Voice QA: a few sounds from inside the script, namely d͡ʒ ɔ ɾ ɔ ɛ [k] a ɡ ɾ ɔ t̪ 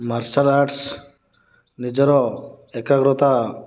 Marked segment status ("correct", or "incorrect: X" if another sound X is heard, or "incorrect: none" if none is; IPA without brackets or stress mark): correct